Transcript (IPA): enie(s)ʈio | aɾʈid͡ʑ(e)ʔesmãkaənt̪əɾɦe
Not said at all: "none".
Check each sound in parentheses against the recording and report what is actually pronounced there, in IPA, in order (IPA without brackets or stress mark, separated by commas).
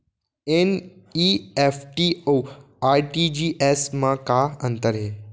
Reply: f, i